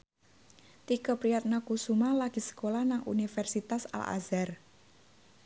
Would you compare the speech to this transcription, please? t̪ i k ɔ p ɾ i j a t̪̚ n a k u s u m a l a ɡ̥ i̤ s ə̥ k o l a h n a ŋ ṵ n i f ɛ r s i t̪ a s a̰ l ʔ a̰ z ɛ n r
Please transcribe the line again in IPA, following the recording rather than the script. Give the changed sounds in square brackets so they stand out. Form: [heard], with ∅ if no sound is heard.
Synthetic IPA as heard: t̪ i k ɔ p ɾ i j a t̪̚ n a k u s u m a l a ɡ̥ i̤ s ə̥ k o l a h n a ŋ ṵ n i f ɛ r s i t̪ a s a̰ l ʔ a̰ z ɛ [∅] r